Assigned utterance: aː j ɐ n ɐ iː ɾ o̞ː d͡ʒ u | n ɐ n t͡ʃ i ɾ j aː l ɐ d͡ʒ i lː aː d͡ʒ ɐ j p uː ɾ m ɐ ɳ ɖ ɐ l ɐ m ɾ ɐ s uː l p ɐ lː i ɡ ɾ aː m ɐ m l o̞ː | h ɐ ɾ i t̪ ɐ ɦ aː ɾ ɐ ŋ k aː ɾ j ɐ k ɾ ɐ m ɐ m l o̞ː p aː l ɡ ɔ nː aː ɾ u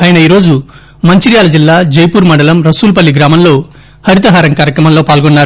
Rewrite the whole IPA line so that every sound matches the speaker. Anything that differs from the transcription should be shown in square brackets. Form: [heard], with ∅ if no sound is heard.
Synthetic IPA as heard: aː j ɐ n ɐ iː ɾ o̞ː d͡ʒ u | [m] ɐ [ɲ] t͡ʃ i ɾ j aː l ɐ d͡ʒ i lː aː d͡ʒ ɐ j p uː ɾ m ɐ ɳ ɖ ɐ l ɐ m ɾ ɐ s uː l p ɐ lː i ɡ ɾ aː m ɐ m l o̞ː | h ɐ ɾ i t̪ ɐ ɦ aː ɾ ɐ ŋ k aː ɾ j ɐ k ɾ ɐ m ɐ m l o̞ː p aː l ɡ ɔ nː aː ɾ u